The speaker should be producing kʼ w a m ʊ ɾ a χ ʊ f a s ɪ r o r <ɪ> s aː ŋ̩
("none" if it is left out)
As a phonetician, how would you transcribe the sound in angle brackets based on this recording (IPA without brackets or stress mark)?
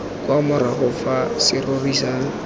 i